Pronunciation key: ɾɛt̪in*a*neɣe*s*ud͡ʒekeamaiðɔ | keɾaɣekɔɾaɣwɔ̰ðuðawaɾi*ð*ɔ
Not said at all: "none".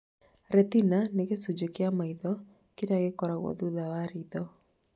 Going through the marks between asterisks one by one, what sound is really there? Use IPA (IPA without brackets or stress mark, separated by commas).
a, s, ð